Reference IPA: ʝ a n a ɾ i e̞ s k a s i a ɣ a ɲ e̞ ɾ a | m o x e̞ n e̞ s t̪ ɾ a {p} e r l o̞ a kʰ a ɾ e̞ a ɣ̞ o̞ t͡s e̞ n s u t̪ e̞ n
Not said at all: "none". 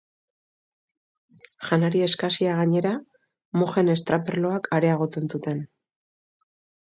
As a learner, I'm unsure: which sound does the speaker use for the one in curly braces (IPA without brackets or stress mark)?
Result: p